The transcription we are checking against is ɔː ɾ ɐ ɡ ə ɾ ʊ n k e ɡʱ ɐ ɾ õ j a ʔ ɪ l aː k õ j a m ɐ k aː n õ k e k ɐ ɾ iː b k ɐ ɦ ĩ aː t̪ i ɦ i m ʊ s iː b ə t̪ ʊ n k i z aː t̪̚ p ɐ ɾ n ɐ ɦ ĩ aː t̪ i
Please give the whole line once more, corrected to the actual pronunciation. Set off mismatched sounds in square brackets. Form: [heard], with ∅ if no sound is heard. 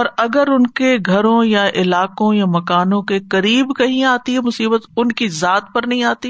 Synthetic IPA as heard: ɔː ɾ ɐ ɡ ə ɾ ʊ n k e ɡʱ ɐ ɾ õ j a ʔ ɪ l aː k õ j a m ɐ k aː n õ k e k ɐ ɾ iː b k ɐ ɦ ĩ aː t̪ i ɦ [ɛ] m ʊ s iː b ə t̪ ʊ n k i z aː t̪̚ p ɐ ɾ n ɐ ɦ ĩ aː t̪ i